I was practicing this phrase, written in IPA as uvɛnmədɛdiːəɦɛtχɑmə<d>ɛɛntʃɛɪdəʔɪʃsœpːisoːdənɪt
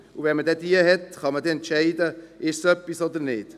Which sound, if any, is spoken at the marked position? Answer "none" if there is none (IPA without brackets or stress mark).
d